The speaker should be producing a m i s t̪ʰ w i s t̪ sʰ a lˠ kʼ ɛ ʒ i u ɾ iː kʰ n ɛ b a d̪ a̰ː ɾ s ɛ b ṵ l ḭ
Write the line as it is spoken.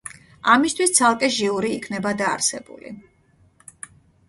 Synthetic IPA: a m i s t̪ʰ w i s t̪ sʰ a lˠ kʼ ɛ ʒ i u ɾ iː kʰ n ɛ b a d̪ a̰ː ɾ s ɛ b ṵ l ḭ